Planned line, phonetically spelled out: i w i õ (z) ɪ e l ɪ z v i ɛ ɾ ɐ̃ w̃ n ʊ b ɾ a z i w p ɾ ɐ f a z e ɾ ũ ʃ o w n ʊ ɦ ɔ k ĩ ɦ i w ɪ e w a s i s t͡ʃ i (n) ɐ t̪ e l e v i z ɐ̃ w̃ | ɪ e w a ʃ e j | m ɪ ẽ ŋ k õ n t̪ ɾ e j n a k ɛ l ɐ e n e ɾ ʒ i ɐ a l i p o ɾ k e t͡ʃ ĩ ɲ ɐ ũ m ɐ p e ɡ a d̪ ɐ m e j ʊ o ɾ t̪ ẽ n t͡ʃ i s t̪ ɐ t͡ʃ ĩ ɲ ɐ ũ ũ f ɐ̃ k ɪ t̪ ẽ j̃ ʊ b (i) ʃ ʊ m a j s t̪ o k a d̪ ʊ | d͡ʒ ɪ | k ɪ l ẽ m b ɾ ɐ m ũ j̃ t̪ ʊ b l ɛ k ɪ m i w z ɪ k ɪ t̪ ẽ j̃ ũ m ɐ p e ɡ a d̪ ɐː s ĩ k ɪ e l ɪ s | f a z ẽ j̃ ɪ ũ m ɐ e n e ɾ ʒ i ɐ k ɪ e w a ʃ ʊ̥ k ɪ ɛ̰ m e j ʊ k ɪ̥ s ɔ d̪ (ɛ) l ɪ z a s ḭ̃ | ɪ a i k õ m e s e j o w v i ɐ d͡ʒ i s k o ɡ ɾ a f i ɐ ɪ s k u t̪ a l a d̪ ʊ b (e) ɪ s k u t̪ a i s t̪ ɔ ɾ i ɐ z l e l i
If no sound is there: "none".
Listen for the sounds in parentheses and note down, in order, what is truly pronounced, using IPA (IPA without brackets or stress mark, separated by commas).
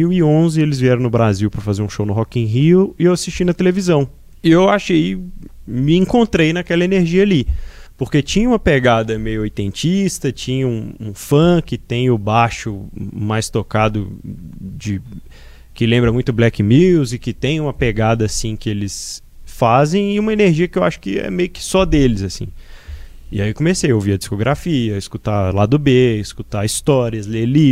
z, n, a, e, e